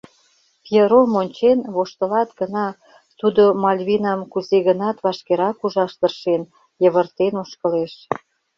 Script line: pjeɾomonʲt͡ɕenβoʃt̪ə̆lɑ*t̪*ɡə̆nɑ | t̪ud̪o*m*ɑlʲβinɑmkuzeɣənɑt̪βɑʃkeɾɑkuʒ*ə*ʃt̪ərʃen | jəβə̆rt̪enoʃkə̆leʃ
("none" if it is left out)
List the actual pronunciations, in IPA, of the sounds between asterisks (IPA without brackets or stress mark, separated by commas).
t̪, m, ɑ